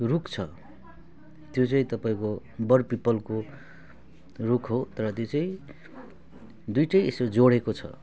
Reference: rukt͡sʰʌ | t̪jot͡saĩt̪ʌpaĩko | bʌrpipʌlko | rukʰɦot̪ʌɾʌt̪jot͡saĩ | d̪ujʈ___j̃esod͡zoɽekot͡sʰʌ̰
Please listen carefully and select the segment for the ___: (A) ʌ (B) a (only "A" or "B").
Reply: A